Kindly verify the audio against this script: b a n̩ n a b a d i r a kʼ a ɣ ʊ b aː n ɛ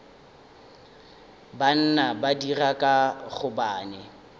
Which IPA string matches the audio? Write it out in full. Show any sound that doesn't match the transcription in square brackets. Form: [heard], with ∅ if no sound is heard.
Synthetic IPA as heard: b a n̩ n a b a d i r a kʼ a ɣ ʊ b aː n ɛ